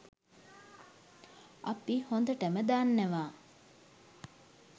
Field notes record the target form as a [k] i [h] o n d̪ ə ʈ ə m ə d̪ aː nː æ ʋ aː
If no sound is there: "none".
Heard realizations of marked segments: p, h

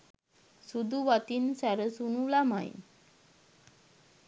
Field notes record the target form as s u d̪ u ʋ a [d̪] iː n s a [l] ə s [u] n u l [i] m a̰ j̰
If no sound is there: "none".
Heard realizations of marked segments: t̪, ɾ, u, a

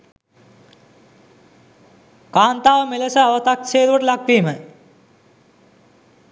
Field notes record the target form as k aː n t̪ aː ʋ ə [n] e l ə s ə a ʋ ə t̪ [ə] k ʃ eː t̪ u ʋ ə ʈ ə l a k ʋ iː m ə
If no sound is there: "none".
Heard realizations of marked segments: m, a

